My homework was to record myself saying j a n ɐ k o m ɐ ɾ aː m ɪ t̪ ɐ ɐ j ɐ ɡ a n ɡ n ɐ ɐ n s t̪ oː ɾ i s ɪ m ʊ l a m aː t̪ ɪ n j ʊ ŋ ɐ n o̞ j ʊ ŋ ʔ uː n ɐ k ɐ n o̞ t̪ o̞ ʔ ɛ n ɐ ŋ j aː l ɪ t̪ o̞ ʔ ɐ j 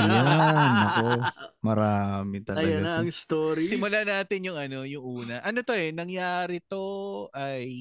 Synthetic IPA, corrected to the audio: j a n ɐ k o m ɐ ɾ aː m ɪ t̪ ɐ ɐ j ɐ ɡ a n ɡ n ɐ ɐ ŋ s t̪ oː ɾ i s ɪ m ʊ l a n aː t̪ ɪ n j ʊ ŋ ɐ n o̞ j ʊ ŋ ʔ uː n ɐ ʔ ɐ n o̞ t̪ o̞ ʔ ɛ n ɐ ŋ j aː ɾ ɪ t̪ o̞ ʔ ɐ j